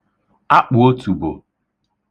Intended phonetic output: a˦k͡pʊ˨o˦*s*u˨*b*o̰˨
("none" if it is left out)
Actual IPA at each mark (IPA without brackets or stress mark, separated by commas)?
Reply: t, b